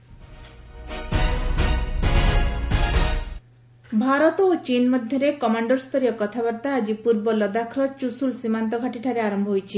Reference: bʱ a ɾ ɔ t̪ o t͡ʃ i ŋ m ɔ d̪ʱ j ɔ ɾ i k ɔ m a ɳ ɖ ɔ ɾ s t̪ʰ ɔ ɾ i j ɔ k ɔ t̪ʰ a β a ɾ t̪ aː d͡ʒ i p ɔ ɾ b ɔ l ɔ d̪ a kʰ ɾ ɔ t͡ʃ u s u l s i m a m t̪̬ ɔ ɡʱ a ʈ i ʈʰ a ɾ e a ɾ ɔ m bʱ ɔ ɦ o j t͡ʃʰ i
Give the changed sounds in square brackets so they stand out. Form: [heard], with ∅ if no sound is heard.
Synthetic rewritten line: bʱ a ɾ ɔ t̪ o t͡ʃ i [n] m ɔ d̪ʱ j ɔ ɾ [e] k ɔ m a ɳ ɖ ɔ ɾ s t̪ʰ ɔ ɾ i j ɔ k ɔ t̪ʰ a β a ɾ t̪ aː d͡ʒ i p [u] ɾ b ɔ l ɔ d̪ a kʰ ɾ ɔ t͡ʃ u s u l s i m a [n] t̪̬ ɔ ɡʱ a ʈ i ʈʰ a ɾ e a ɾ ɔ m bʱ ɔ ɦ o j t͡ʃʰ i

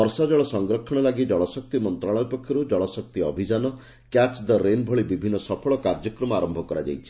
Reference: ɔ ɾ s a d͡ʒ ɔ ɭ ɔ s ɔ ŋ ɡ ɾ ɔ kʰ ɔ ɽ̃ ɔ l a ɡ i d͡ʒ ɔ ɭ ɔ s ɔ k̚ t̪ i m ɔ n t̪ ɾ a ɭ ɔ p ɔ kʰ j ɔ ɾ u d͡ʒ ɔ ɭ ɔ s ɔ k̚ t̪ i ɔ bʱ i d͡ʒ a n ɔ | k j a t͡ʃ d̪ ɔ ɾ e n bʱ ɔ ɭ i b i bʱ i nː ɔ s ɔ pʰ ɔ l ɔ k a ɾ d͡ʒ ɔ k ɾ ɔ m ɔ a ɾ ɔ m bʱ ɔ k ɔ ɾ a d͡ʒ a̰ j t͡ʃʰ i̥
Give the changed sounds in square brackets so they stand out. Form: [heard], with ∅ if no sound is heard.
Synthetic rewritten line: ɔ ɾ s a d͡ʒ ɔ ɭ ɔ s ɔ ŋ ɡ ɾ ɔ kʰ ɔ ɽ̃ ɔ l a ɡ i d͡ʒ ɔ ɭ ɔ s ɔ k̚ t̪ i m ɔ n t̪ ɾ a ɭ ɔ p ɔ kʰ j ɔ ɾ u d͡ʒ ɔ ɭ ɔ s ɔ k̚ t̪ i ɔ bʱ i d͡ʒ a n ɔ | k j a t͡ʃ d̪ ɔ ɾ e n bʱ ɔ ɭ i b i bʱ i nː ɔ s ɔ pʰ ɔ [ɭ] ɔ k a ɾ d͡ʒ ɔ k ɾ ɔ m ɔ a ɾ ɔ m bʱ ɔ k ɔ ɾ a d͡ʒ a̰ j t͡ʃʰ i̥

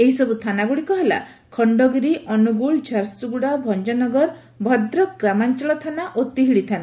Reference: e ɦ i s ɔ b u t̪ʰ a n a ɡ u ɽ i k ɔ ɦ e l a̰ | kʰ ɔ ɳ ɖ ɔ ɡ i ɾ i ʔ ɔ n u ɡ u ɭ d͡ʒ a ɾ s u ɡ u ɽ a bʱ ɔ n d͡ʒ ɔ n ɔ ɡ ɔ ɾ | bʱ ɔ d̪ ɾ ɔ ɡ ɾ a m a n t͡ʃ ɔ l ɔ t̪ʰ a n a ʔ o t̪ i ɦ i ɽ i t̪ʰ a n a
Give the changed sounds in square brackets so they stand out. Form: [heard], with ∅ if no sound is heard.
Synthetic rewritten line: e ɦ i s ɔ b u t̪ʰ a n a ɡ u ɽ i k ɔ ɦ e l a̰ | kʰ ɔ ɳ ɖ ɔ ɡ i ɾ i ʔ ɔ n u ɡ u ɭ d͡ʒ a ɾ s u ɡ u ɽ a bʱ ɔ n d͡ʒ ɔ n ɔ ɡ ɔ ɾ | bʱ ɔ d̪ ɾ ɔ ɡ ɾ a m a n t͡ʃ ɔ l ɔ t̪ʰ a n a ʔ o t̪ i ɦ i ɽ i t̪ʰ a n a

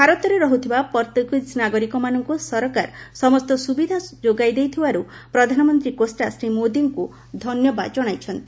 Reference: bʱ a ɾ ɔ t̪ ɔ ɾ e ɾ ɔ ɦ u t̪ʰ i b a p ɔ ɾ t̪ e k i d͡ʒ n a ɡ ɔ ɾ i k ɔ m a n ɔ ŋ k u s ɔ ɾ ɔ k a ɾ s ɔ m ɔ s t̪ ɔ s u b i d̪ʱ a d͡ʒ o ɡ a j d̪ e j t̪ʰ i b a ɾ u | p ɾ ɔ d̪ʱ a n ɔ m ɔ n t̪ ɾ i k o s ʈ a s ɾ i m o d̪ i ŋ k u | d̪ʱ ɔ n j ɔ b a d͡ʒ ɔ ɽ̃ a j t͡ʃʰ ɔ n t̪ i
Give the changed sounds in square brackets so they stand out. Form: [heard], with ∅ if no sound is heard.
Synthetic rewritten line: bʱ a ɾ ɔ t̪ ɔ ɾ e ɾ ɔ ɦ u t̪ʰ i b a p ɔ ɾ t̪ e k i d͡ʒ n a ɡ ɔ ɾ i k ɔ m a n ɔ ŋ k u s ɔ ɾ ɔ k a ɾ s ɔ m ɔ s t̪ ɔ s u b i d̪ʱ a d͡ʒ o ɡ a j d̪ e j t̪ʰ i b a ɾ u | p ɾ ɔ d̪ʱ a n ɔ m ɔ n t̪ ɾ i k o s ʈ a s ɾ i m o d̪ i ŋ k u | d̪ʱ ɔ n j ɔ b a d͡ʒ ɔ ɽ̃ a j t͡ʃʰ ɔ n t̪ i

